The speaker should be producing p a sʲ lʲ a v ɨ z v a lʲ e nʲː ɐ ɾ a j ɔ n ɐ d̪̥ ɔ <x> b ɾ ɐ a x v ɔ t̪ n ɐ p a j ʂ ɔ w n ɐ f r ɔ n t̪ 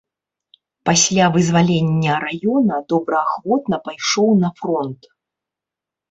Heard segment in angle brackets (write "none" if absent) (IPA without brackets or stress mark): none